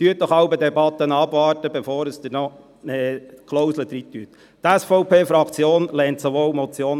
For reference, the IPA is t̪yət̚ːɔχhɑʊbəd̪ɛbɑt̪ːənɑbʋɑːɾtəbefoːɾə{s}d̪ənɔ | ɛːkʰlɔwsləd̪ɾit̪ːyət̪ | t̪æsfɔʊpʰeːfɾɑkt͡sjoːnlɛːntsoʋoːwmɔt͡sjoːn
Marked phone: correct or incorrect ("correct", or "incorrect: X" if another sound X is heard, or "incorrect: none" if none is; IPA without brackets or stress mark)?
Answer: correct